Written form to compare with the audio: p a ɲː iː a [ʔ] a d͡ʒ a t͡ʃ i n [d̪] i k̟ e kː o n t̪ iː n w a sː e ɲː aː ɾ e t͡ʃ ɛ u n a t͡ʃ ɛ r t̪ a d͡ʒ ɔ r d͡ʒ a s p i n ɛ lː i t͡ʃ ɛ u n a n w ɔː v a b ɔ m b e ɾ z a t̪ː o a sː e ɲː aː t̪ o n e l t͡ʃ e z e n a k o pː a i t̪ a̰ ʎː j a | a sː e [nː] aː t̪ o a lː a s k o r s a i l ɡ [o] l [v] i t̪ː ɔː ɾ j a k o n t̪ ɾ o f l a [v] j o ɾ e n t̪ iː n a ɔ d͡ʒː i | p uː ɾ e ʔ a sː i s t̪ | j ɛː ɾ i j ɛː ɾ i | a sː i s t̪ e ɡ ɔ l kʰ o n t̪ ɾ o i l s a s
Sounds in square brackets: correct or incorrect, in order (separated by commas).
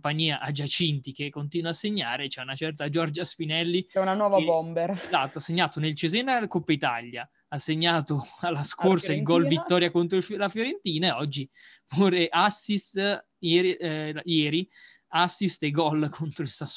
correct, incorrect, incorrect, incorrect, correct, incorrect